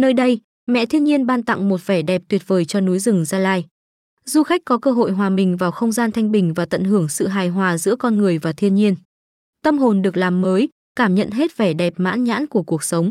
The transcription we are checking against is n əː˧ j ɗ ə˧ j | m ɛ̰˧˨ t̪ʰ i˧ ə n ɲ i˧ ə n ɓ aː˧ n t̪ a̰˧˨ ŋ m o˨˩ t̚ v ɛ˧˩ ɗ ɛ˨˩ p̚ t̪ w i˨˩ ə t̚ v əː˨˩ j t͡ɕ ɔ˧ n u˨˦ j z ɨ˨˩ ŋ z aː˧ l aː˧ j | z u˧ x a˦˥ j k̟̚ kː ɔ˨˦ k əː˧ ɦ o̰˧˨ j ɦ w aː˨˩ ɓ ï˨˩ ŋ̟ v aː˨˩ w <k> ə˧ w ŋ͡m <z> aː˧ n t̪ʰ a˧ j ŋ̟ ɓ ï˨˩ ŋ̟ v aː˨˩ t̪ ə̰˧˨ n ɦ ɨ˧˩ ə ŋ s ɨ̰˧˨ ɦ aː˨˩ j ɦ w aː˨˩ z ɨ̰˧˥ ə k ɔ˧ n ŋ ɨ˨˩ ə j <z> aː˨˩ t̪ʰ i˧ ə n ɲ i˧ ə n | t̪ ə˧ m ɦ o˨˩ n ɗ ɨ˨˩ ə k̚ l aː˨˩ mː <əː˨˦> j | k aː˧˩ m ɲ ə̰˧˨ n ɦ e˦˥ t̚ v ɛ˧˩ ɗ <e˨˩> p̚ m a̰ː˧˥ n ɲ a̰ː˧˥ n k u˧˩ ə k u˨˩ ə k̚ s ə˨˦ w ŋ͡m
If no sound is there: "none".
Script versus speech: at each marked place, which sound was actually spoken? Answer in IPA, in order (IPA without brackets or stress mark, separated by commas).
x, z, v, əː˨˦, ɛ˨˩